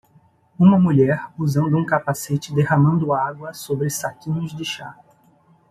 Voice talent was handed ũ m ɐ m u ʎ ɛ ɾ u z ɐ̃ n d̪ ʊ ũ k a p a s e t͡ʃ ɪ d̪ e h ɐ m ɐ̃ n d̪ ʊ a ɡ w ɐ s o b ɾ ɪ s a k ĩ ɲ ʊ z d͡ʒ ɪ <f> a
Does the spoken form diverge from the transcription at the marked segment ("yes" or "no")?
yes